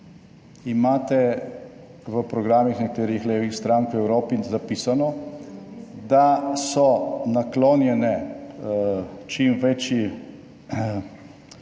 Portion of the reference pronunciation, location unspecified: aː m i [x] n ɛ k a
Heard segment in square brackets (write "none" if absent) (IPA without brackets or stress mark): x